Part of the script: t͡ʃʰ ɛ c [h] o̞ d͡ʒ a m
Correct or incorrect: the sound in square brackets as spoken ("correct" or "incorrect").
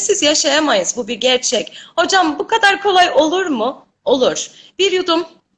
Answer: correct